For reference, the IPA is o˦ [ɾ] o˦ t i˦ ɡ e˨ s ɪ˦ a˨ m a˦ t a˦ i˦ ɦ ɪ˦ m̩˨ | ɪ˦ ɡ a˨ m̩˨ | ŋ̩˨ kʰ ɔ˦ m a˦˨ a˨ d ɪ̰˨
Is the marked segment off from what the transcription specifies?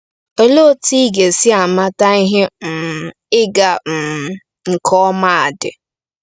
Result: yes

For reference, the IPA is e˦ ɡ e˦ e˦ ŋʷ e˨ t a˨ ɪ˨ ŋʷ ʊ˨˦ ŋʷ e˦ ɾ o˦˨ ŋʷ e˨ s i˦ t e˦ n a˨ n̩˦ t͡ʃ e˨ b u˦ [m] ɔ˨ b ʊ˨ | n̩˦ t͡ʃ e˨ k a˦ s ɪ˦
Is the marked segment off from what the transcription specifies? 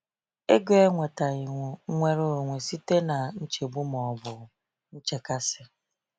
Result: no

